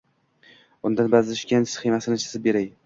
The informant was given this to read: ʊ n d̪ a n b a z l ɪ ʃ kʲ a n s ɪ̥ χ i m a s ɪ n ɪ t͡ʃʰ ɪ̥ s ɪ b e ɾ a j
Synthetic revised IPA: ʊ n d̪ a n b a z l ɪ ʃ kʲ a n s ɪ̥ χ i m a s ɪ n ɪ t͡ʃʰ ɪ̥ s ɪ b e ɾ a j